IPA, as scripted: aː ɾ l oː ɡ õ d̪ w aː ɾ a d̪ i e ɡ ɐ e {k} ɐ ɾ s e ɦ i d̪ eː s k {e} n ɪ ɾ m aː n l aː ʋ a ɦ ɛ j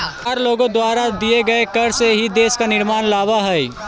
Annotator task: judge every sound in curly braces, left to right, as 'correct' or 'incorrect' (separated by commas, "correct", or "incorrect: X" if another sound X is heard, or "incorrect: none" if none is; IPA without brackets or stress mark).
correct, incorrect: a